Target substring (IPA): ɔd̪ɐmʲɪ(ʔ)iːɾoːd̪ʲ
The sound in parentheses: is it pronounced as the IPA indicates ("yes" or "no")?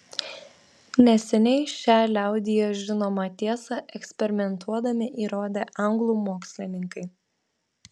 yes